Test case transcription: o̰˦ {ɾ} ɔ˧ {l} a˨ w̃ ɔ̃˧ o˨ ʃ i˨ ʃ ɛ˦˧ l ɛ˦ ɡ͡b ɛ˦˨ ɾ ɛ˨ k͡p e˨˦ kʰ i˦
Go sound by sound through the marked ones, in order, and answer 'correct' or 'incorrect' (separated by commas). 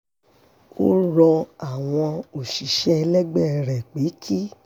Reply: correct, incorrect